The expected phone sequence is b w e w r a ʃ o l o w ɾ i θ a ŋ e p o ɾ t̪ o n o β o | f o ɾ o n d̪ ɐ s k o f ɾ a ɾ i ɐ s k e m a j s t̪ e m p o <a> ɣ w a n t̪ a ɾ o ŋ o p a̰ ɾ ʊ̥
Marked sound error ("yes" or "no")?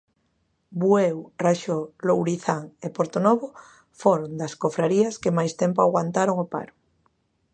no